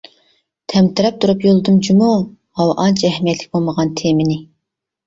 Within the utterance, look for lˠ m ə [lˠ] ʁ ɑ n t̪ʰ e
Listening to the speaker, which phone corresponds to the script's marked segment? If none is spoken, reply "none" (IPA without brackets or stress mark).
none